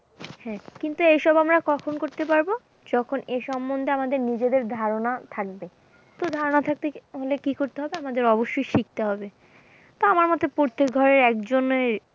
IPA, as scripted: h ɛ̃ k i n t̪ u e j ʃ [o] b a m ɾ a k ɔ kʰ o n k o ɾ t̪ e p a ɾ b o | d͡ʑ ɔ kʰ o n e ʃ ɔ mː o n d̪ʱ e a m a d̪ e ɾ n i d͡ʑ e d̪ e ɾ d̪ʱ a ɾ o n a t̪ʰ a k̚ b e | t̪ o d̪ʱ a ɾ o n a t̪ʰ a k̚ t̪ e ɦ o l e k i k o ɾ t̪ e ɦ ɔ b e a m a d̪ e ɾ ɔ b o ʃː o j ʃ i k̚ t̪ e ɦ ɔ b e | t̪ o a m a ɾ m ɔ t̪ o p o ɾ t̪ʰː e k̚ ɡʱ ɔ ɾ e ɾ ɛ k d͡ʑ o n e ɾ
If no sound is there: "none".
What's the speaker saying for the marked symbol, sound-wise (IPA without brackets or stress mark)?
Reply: ɔ